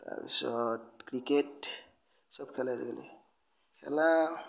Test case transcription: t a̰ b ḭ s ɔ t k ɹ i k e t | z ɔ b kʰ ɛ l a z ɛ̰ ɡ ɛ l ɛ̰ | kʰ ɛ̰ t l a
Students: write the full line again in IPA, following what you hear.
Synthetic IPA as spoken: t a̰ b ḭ s ɔ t k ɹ i k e t | s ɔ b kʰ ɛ l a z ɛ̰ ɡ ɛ l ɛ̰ | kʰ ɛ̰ l a